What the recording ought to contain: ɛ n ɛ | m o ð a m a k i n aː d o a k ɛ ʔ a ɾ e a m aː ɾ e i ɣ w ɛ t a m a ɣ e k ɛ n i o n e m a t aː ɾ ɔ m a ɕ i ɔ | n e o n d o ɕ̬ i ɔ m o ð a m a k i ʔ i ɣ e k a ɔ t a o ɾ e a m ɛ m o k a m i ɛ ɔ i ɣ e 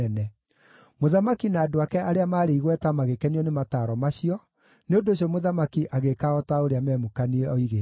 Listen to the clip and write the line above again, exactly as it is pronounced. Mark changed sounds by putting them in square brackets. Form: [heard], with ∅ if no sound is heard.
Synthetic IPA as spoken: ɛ n ɛ | m o ð a m a k i n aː d o a k ɛ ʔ a ɾ e a m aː ɾ e i ɣ w ɛ t a m a ɣ e k ɛ n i [ɔ] n e m a t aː ɾ ɔ m a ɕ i ɔ | n e o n d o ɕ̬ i ɔ m o ð a m a k i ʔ [a] ɣ e k a ɔ t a o ɾ e a m ɛ m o k a [n] i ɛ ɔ i ɣ e